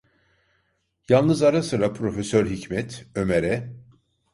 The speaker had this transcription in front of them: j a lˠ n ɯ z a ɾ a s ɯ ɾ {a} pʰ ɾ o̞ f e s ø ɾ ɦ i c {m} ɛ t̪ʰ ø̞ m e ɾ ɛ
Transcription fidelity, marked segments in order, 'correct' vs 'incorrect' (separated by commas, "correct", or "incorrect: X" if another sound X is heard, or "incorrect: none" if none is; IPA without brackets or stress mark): correct, correct